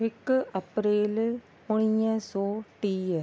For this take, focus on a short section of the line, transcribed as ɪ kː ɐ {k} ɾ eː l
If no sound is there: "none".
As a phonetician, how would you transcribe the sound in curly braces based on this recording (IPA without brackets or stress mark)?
p